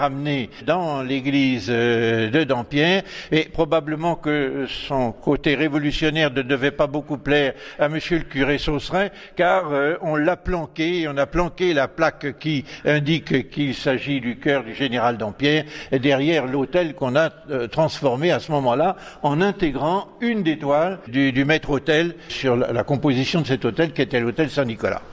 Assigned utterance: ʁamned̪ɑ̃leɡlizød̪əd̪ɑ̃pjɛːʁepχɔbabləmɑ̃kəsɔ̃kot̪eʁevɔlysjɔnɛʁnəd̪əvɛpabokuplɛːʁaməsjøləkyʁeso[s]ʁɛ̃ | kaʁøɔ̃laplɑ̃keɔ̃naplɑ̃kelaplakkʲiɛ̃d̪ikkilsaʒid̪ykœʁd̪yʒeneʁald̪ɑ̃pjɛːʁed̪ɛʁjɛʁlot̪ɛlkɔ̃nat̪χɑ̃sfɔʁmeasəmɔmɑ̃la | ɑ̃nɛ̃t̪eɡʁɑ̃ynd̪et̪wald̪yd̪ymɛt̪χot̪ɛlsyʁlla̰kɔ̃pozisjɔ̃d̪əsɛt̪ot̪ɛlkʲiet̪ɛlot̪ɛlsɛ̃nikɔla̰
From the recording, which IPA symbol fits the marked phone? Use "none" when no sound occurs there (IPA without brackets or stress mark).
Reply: s